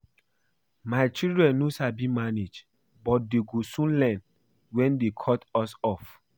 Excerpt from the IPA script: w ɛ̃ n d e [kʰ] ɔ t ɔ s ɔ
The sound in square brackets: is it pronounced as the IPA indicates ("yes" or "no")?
yes